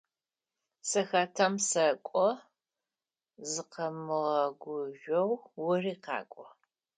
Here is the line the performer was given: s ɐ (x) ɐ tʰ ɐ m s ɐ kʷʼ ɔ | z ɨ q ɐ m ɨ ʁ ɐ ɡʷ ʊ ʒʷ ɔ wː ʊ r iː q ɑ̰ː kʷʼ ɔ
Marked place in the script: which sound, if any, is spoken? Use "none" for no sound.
x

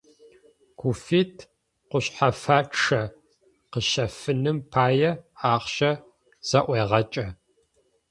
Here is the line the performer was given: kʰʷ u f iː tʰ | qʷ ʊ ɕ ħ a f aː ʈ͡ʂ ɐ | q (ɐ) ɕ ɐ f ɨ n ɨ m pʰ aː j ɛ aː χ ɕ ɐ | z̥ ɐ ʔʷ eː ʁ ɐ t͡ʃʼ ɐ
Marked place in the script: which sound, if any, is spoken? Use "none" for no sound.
ə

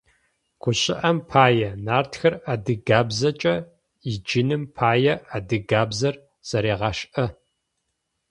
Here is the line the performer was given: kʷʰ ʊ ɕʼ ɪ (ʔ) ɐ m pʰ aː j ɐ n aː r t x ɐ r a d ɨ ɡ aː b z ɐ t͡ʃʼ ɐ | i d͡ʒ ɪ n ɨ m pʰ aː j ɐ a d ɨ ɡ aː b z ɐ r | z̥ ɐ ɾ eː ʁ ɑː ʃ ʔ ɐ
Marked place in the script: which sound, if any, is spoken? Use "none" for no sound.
ʔ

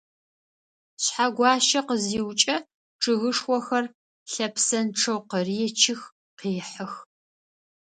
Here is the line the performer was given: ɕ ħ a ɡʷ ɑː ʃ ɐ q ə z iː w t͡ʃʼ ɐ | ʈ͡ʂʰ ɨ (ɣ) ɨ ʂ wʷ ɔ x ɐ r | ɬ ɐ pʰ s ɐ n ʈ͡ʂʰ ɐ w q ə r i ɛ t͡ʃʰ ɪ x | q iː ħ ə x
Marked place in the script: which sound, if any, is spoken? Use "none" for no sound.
ɣ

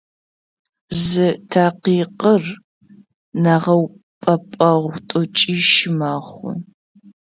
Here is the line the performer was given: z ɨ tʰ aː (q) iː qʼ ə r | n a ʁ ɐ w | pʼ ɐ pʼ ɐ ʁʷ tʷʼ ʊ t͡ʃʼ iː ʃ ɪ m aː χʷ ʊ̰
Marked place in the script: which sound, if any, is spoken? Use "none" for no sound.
q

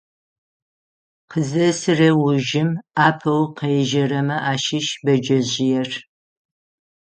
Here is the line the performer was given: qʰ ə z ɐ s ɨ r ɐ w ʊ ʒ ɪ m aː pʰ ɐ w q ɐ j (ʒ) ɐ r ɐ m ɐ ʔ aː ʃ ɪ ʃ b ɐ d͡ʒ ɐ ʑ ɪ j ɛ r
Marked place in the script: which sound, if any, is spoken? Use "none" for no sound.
ʒ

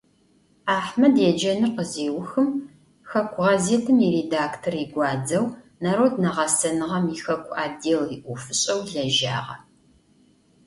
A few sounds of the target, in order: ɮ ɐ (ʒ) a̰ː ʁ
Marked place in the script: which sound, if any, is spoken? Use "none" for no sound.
ʒ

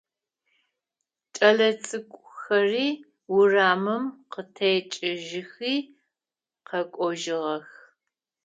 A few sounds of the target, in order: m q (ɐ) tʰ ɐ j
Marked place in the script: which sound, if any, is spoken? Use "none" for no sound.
ə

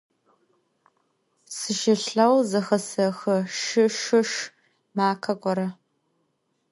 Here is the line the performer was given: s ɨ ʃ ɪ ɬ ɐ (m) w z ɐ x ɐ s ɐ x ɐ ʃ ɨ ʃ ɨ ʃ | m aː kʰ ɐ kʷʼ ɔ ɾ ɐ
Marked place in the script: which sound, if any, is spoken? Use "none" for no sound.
none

